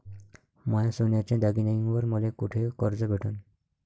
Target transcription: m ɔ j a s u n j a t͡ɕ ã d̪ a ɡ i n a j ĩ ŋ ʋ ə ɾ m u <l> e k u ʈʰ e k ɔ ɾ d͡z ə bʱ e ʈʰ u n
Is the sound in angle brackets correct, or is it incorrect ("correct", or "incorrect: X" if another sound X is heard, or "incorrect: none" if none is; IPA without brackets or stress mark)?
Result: correct